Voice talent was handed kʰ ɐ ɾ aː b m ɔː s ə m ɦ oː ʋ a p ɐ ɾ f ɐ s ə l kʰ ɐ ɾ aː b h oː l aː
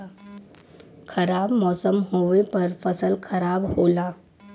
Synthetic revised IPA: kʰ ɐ ɾ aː b m ɔː s ə m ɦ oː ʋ e p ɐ ɾ f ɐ s ə l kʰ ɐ ɾ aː b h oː l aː